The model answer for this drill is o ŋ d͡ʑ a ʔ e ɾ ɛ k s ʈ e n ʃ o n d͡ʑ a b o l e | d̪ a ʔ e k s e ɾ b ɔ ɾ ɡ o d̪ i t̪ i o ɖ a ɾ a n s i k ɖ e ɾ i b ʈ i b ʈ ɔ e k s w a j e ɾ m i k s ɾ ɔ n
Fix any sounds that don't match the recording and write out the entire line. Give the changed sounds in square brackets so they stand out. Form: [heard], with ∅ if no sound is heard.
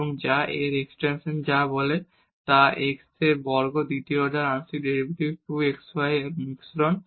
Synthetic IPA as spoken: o ŋ d͡ʑ a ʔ e ɾ [e] k s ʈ e n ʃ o n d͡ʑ a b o l e | [t̪] a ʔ e k s e ɾ b ɔ ɾ ɡ o d̪ i t̪ i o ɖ a ɾ a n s i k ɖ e ɾ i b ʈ i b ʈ [u] e k s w a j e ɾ m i k s ɾ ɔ n

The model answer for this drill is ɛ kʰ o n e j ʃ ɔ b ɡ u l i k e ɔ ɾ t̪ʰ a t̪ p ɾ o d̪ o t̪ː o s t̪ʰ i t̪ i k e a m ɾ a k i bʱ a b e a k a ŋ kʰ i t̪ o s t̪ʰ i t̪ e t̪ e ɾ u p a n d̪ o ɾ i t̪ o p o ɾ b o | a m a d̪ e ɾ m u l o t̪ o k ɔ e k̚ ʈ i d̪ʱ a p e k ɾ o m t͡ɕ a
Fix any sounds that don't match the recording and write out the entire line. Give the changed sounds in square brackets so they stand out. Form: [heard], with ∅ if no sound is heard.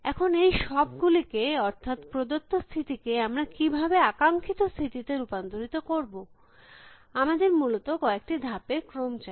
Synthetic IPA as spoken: ɛ kʰ o n e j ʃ ɔ b ɡ u l i k e ɔ ɾ t̪ʰ a t̪ p ɾ o d̪ o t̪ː o s t̪ʰ i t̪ i k e a m ɾ a k i bʱ a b e a k a ŋ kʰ i t̪ o s t̪ʰ i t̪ [i] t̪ e ɾ u p a n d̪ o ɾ i t̪ o [k] o ɾ b o | a m a d̪ e ɾ m u l o t̪ o k ɔ e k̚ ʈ i d̪ʱ a p e k ɾ o m t͡ɕ a

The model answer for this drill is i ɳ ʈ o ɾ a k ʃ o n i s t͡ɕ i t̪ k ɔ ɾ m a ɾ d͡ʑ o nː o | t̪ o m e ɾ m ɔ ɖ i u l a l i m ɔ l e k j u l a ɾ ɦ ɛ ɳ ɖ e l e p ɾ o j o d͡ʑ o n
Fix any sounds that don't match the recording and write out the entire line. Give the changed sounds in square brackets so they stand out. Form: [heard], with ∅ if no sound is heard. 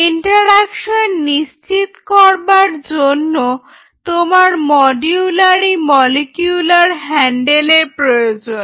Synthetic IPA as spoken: i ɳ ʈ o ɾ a k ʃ o [nː] i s t͡ɕ i t̪ k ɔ ɾ [b] a ɾ d͡ʑ o nː o | t̪ o m [a] ɾ m ɔ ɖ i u l a [ɾ] i m ɔ l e k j u l a ɾ ɦ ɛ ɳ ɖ e l e p ɾ o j o d͡ʑ o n

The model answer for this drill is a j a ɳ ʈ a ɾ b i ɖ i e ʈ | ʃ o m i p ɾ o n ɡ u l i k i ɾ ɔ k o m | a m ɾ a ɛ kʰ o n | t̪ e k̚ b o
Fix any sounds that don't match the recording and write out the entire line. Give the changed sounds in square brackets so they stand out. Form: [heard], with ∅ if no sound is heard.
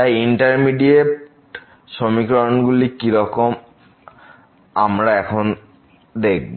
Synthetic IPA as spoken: a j [i] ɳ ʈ a ɾ [m] i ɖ i e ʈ | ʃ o m i [k] ɾ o n ɡ u l i k i ɾ ɔ k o m | a m ɾ a ɛ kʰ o n | [d̪] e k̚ b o

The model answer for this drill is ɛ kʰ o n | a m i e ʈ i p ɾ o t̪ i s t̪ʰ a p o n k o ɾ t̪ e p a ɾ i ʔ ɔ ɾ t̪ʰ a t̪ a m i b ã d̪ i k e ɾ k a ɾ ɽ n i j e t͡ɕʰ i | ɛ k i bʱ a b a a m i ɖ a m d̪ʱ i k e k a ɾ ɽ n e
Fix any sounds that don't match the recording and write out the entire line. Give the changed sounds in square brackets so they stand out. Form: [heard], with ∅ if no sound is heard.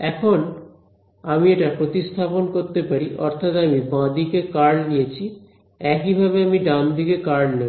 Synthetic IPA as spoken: ɛ kʰ o n | a m i e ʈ [a] p ɾ o t̪ i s t̪ʰ a p o n k o ɾ t̪ e p a ɾ i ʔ ɔ ɾ t̪ʰ a t̪ a m i b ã d̪ i k e [∅] k a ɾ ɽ n i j e t͡ɕʰ i | ɛ k i bʱ a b [e] a m i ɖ a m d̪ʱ i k e k a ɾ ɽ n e

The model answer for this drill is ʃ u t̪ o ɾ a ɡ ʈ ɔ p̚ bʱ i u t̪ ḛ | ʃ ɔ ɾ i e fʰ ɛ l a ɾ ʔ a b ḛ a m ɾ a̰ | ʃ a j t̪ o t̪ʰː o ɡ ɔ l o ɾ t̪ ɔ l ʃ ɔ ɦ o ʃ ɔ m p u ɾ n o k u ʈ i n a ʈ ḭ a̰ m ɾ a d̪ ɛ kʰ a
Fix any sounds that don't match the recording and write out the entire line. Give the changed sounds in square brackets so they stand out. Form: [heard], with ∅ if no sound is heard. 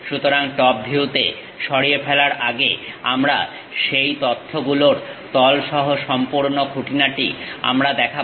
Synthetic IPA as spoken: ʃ u t̪ o ɾ a [ŋ] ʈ ɔ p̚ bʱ i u t̪ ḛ | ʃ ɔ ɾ i e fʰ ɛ l a ɾ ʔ a [ɡ] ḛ a m ɾ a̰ | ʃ [e] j t̪ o t̪ʰː o ɡ [u] l o ɾ t̪ ɔ l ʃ ɔ ɦ o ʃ ɔ m p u ɾ n o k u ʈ i n a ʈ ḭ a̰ m ɾ a d̪ ɛ kʰ a

